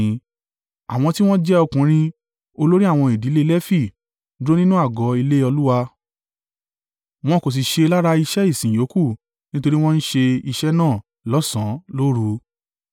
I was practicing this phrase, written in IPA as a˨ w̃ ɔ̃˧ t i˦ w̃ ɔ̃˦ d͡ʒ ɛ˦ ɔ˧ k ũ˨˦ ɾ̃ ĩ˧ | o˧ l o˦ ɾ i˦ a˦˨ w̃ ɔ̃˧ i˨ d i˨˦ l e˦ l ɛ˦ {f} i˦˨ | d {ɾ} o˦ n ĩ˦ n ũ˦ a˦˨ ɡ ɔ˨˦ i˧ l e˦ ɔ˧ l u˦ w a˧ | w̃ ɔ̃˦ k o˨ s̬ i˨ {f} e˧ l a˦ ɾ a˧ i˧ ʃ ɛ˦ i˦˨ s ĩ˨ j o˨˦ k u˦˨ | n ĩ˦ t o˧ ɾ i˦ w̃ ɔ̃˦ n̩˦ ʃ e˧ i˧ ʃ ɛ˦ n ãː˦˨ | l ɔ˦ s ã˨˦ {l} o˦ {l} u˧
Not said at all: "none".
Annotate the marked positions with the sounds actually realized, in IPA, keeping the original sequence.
f, ɾ, ʃ, l, ɾ

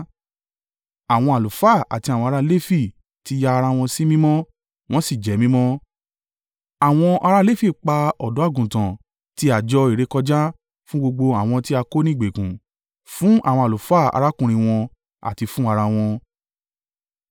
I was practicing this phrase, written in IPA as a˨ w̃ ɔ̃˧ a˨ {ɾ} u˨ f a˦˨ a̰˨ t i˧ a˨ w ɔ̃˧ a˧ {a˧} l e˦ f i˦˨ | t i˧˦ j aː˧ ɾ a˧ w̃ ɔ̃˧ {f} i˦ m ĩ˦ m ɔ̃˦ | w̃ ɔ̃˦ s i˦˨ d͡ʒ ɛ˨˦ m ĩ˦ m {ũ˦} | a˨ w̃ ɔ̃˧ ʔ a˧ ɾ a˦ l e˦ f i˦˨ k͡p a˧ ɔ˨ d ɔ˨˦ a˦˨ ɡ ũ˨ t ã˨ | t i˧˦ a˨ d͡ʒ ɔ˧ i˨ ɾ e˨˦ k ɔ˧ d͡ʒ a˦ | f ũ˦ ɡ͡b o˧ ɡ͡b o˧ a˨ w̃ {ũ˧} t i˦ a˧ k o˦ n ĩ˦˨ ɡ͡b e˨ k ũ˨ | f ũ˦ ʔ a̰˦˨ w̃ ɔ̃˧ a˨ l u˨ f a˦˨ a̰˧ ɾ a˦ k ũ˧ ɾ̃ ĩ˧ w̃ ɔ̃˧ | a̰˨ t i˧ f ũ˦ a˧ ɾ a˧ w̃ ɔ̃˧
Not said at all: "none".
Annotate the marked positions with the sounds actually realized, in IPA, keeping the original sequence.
l, a˧, s, ɔ̃˦, ɔ̃˧

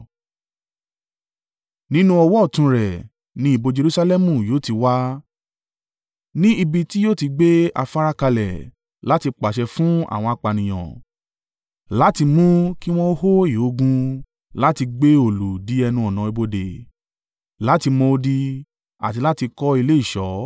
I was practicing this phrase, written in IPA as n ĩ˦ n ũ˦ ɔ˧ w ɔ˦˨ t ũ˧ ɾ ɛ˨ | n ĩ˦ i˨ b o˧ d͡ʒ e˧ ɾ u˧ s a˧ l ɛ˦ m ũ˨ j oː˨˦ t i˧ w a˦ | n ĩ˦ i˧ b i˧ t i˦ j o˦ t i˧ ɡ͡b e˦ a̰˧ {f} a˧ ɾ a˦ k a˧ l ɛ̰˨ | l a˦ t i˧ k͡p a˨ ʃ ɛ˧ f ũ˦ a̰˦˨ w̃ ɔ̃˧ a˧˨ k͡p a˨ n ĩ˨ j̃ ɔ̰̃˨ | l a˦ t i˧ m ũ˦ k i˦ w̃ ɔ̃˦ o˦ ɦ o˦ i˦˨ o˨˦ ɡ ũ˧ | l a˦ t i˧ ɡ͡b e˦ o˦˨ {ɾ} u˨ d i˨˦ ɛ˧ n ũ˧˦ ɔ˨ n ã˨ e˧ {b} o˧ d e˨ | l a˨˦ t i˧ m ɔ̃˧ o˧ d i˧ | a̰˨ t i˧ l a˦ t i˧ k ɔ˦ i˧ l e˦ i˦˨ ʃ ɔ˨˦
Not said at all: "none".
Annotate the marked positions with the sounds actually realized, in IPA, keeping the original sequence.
f, l, b

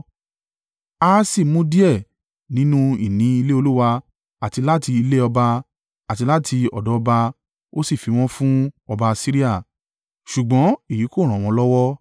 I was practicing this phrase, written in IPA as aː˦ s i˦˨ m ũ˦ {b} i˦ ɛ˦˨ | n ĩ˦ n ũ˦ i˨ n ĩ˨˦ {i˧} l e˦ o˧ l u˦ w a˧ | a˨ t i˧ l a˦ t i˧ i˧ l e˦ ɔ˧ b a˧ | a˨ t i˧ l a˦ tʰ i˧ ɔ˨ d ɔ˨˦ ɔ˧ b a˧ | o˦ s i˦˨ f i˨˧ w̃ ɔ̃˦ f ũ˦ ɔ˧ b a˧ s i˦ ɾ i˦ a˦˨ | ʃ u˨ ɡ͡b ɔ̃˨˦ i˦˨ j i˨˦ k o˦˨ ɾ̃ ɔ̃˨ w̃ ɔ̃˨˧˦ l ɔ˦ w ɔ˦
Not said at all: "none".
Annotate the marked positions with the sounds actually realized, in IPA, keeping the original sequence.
d, i˧

